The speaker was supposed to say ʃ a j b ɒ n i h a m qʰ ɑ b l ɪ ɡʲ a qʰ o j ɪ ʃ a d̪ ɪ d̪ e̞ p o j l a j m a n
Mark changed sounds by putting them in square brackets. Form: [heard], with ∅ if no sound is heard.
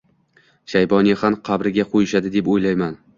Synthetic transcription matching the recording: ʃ a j b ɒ n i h a m qʰ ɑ b [ɾ] ɪ ɡʲ a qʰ o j ɪ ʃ a d̪ ɪ d̪ e̞ p o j l a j m a n